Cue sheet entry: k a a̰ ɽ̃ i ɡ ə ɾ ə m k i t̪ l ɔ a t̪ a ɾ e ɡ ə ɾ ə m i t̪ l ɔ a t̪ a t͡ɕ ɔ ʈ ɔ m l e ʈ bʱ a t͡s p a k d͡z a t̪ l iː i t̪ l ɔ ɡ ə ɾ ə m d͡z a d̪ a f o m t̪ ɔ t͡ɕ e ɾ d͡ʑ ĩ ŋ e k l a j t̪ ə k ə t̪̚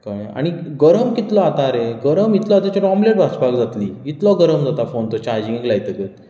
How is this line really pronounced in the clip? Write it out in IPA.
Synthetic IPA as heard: k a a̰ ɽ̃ i ɡ ə ɾ ə m k i t̪ l ɔ a t̪ a ɾ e ɡ ə ɾ ə m i t̪ l ɔ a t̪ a t͡ɕ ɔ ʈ ɔ m l e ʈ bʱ a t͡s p a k d͡z a t̪ l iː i t̪ l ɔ ɡ ə ɾ ə m d͡z a t̪ a f o n t̪ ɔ t͡ɕ a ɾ d͡ʑ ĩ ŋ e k l a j t̪ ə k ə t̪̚

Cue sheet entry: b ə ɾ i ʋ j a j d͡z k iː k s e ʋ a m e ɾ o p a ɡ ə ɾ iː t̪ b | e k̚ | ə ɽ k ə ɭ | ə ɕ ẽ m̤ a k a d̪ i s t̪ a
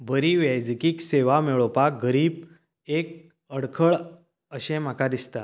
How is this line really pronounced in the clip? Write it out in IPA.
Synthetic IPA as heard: b ə ɾ i ʋ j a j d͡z k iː k s e ʋ a m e ɭ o p a ɡ ə ɾ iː b | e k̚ | ə ɽ kʰ ə ɭ | ə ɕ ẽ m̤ a k a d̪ i s t̪ a

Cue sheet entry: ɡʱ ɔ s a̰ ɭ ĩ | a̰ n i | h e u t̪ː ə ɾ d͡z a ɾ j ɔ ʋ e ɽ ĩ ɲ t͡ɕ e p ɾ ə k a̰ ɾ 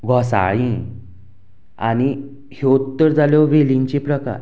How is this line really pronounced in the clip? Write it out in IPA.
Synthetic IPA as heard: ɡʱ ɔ s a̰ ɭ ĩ | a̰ n i | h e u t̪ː ə ɾ d͡z a l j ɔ ʋ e l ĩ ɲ t͡ɕ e p ɾ ə k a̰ ɾ

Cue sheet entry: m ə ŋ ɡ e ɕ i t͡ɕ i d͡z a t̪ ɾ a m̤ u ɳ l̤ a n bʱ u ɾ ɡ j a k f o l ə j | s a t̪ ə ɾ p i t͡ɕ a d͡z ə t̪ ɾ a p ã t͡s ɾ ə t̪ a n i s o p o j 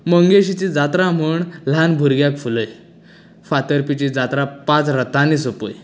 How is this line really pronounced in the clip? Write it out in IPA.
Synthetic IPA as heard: m ə ŋ ɡ e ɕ i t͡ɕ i d͡z a t̪ ɾ a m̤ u ɳ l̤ a n bʱ u ɾ ɡ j a k f u l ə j | f a t̪ ə ɾ p i t͡ɕ i d͡z a t̪ ɾ a p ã t͡s ɾ ə t̪ a n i s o p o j

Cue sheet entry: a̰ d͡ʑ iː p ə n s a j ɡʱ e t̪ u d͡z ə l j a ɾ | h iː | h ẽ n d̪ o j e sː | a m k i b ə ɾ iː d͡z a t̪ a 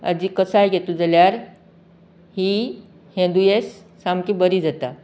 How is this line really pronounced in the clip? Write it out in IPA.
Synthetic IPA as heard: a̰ d͡ʑ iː k ə s a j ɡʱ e t̪ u d͡z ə l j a ɾ | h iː | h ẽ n d̪ u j e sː | a m k i b ə ɾ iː d͡z a t̪ a

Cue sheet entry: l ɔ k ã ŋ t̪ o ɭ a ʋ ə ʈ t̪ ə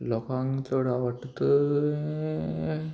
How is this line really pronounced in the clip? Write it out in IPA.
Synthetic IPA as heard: l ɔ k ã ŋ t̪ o ɽ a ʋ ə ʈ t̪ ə

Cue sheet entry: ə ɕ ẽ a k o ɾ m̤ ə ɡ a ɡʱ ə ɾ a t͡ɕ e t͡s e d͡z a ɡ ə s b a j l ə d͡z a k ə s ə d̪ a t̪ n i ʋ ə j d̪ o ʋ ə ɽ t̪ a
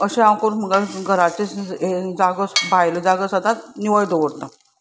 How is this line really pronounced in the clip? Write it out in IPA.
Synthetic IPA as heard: ə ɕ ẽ a k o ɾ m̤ ə ɡ a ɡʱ ə ɾ a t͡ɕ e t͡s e d͡z a ɡ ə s b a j l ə d͡z a ɡ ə s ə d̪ a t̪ n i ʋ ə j d̪ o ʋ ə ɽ t̪ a

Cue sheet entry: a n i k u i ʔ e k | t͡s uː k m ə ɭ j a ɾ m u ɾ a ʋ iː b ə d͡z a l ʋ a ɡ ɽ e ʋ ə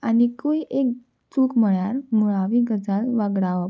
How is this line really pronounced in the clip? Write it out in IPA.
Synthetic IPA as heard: a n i k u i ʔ e k | t͡s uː k m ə ɭ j a ɾ m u ɭ a ʋ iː ɡ ə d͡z a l ʋ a ɡ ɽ a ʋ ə

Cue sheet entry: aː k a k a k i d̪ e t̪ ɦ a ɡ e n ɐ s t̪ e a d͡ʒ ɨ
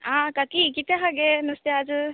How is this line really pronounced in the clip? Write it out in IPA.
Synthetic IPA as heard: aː k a k i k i t̪ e ɦ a ɡ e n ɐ s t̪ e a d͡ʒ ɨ

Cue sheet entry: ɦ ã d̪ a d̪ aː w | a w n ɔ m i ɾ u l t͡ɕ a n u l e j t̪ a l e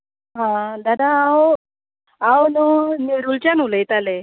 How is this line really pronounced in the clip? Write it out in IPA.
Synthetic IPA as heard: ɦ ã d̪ a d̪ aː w | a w n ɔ n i ɾ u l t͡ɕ a n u l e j t̪ a l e

